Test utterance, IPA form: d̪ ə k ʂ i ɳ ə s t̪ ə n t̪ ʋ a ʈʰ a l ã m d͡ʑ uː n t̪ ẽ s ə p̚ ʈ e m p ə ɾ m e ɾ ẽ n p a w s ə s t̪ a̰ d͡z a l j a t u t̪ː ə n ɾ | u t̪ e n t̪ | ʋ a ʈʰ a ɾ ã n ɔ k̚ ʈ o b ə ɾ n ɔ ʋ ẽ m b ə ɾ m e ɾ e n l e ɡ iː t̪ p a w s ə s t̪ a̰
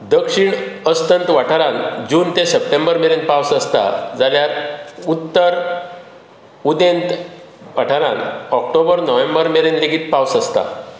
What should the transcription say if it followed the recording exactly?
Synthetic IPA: d̪ ə k ʂ i ɳ ə s t̪ ə n t̪ ʋ a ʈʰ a ɾ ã n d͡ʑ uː n t̪ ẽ s ə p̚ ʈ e m b ə ɾ m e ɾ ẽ n p a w s ə s t̪ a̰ d͡z a l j a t u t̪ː ə ɾ | u d̪ e n t̪ | ʋ a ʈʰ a ɾ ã n ɔ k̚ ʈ o b ə ɾ n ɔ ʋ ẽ m b ə ɾ m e ɾ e n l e ɡ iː t̪ p a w s ə s t̪ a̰